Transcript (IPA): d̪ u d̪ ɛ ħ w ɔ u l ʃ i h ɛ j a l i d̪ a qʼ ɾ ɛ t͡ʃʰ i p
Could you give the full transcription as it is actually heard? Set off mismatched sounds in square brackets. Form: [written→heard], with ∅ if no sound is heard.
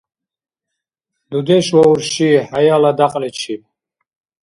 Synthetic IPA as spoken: d̪ u d̪ ɛ [ħ→ʃ] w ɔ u [l→ɾ] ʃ i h [ɛ→a] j a l [i→a] d̪ a qʼ [ɾ→l] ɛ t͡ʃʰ i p